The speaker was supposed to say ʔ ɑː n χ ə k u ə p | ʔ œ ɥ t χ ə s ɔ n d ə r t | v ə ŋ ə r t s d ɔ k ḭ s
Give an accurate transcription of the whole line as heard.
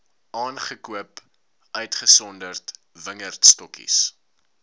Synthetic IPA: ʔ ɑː n χ ə k u ə p | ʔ œ ɥ t χ ə s ɔ n d ə r t | v ə ŋ ə r t s t ɔ k ḭ s